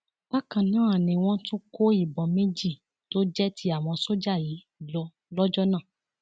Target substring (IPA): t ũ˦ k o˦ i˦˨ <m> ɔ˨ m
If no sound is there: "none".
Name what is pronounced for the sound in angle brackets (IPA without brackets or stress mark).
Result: b